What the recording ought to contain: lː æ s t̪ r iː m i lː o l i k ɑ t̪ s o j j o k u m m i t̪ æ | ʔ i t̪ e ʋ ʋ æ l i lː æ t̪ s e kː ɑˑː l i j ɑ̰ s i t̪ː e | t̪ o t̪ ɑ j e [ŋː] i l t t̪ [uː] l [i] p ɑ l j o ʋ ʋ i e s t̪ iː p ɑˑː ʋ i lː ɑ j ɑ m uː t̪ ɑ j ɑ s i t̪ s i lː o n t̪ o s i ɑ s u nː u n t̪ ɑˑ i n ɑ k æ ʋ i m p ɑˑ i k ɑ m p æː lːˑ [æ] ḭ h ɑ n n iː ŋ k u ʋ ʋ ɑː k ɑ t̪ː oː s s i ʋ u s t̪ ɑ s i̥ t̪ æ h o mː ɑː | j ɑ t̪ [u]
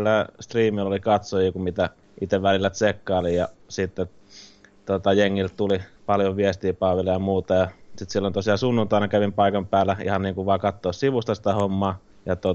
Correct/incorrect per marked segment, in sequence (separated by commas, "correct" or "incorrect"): correct, incorrect, correct, correct, incorrect